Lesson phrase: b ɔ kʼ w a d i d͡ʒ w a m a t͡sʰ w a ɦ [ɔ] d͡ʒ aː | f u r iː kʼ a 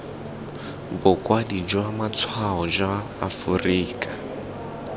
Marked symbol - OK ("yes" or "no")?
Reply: yes